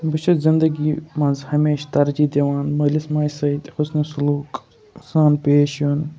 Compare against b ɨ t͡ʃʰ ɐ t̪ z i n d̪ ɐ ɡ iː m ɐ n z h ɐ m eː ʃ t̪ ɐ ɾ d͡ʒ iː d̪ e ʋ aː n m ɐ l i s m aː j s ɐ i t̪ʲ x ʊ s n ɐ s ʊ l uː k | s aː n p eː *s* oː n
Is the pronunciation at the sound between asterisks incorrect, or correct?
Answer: incorrect